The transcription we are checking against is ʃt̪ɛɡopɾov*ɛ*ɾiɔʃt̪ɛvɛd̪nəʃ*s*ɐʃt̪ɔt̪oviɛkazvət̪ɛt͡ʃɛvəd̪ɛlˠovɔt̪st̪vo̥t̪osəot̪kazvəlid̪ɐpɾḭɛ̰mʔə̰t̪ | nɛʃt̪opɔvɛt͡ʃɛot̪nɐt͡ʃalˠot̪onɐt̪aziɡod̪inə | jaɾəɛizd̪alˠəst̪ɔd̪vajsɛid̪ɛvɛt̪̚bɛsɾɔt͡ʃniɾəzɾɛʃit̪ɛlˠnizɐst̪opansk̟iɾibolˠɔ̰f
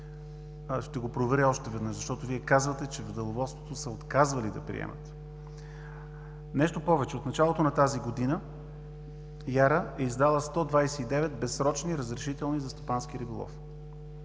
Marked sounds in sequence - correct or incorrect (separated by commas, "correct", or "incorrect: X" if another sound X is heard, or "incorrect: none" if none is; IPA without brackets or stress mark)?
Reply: correct, incorrect: z